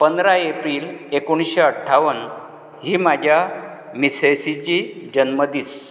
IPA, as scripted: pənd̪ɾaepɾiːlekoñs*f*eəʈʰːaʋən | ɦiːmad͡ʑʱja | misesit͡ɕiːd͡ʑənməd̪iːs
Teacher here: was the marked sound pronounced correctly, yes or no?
no